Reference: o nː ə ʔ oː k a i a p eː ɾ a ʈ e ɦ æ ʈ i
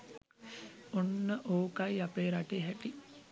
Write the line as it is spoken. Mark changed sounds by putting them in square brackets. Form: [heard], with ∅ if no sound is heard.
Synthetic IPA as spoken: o nː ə ʔ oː k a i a p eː ɾ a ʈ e ɦ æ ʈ i

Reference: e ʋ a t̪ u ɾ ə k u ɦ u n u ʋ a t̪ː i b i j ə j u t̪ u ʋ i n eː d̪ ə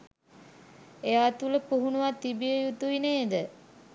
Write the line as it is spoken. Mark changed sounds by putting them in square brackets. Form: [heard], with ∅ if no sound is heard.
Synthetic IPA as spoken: e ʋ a t̪ u [l] ə [p] u ɦ u n u ʋ a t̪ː i b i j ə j u t̪ u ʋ i n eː d̪ ə

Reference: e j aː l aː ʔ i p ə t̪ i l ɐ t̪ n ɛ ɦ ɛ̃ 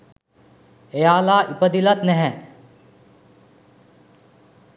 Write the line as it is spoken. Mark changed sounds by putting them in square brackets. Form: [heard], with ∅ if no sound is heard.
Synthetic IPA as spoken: e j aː l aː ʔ i p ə [d̪] i l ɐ t̪ n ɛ ɦ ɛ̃

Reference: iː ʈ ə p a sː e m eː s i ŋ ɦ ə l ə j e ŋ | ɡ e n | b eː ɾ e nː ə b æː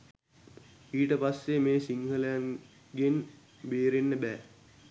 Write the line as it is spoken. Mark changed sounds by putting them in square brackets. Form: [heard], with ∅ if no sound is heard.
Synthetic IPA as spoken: iː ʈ ə p a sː e m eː s i ŋ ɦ ə l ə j [a] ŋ | ɡ e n | b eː ɾ e nː ə b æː

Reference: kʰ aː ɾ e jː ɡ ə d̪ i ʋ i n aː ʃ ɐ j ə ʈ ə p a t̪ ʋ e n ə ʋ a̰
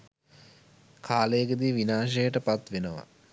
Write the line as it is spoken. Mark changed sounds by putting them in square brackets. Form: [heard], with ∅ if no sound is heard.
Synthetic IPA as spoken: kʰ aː [l] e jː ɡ ə d̪ i ʋ i n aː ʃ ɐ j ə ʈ ə p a t̪ ʋ e n ə ʋ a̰

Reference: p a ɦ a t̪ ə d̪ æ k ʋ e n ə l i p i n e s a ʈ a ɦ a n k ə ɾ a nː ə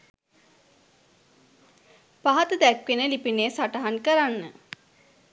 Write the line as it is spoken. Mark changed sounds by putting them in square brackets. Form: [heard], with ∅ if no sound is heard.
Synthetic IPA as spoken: p a ɦ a t̪ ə d̪ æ k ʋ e n ə l i p i n e s a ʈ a ɦ a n k ə ɾ a nː ə

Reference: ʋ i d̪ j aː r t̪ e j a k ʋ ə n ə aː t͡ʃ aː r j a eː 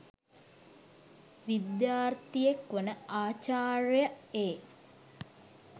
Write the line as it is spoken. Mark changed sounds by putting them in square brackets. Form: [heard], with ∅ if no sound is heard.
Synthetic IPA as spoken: ʋ i d̪ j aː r t̪ [i] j [e] k ʋ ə n ə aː t͡ʃ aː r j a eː

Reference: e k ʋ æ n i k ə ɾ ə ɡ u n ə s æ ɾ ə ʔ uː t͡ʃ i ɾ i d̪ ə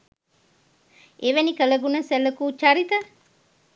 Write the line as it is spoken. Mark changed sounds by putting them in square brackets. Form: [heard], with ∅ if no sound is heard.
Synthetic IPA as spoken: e [∅] ʋ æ n i k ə [l] ə ɡ u n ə s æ [l] ə [k] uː t͡ʃ [a] ɾ i [t̪] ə

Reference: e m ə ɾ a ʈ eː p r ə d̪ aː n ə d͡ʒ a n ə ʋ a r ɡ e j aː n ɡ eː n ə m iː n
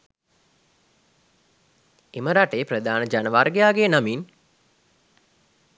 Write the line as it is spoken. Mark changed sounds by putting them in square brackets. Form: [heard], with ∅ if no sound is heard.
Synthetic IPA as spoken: e m ə ɾ a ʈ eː p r ə d̪ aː n ə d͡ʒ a n ə ʋ a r ɡ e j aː [∅] ɡ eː n [a] m [i] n

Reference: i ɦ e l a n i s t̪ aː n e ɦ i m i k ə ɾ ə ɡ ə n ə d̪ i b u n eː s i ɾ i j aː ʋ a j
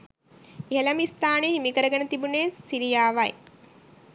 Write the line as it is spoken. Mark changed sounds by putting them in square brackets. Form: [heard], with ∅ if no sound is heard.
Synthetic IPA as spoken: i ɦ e l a [m] i s t̪ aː n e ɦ i m i k ə ɾ ə ɡ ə n ə [t̪] i b u n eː s i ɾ i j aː ʋ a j

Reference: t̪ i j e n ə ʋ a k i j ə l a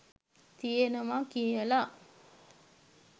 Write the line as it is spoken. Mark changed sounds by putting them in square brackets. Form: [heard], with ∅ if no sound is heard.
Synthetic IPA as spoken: t̪ i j e n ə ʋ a k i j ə l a

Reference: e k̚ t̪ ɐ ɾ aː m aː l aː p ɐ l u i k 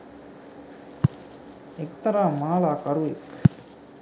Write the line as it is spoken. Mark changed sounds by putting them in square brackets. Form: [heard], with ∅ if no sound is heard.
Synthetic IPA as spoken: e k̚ t̪ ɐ ɾ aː m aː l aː [k] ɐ [ɾ] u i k

